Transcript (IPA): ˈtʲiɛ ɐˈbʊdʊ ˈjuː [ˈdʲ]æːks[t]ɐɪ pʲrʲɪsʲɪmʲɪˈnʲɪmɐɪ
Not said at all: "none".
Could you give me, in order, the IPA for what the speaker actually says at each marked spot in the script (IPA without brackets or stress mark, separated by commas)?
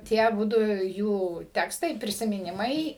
tʲ, t